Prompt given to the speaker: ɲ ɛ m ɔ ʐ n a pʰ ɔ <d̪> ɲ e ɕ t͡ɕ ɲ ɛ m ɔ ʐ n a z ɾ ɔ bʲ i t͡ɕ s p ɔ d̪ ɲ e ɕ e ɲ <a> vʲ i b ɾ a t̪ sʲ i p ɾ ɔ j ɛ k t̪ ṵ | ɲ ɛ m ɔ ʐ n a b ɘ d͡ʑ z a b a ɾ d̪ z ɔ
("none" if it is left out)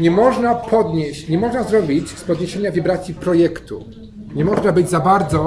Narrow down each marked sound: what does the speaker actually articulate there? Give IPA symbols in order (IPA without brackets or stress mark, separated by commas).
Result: d̪, a